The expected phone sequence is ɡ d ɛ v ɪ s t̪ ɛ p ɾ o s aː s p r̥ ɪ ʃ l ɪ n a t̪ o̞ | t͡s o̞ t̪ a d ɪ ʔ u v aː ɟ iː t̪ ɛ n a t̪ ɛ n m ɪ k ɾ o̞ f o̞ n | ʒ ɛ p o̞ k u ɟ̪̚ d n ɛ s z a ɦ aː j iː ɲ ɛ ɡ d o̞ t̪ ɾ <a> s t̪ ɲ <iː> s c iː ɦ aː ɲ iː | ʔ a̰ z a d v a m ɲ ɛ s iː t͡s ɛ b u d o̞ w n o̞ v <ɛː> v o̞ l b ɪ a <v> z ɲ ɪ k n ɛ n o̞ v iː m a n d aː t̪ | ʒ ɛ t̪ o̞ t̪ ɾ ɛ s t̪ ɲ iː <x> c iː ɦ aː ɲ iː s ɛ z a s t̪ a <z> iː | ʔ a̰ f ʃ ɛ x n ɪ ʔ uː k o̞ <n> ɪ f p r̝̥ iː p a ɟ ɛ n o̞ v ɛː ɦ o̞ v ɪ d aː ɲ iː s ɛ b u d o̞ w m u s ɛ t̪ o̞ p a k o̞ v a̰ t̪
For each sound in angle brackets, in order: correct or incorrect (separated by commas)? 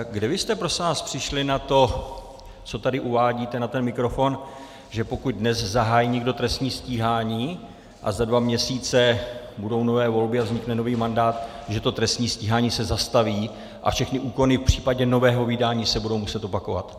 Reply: incorrect, correct, correct, correct, incorrect, incorrect, correct